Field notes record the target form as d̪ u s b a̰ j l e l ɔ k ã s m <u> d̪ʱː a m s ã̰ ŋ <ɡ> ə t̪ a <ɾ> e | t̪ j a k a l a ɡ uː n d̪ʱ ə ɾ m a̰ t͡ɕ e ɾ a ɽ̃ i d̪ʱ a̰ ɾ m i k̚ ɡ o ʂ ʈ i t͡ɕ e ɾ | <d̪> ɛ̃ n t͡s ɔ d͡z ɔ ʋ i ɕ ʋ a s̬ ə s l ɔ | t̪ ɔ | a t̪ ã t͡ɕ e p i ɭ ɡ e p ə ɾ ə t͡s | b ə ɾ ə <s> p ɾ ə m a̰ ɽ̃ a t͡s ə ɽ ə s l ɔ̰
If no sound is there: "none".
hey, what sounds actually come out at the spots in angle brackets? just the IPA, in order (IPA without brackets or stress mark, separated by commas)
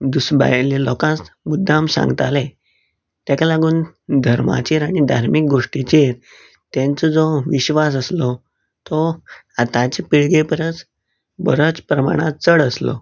u, ɡ, l, t̪, t͡s